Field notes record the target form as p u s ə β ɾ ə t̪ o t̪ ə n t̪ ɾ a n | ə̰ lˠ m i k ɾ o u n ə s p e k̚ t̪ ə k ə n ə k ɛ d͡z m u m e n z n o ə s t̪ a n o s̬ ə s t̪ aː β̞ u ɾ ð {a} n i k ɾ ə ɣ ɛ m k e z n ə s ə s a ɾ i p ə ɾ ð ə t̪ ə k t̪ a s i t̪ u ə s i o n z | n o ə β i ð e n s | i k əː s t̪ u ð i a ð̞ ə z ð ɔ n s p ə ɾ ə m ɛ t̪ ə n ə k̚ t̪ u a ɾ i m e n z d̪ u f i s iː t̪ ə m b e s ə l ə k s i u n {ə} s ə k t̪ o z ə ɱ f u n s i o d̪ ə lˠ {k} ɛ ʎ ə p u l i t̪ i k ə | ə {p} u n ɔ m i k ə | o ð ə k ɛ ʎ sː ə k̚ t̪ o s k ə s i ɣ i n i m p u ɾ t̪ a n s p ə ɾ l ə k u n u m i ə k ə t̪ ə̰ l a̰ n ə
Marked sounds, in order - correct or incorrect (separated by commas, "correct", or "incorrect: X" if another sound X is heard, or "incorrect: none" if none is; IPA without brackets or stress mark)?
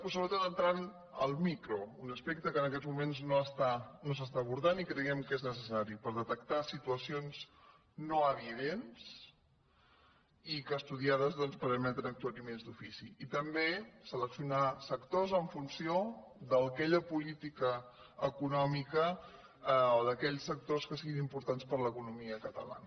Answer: correct, incorrect: a, correct, incorrect: k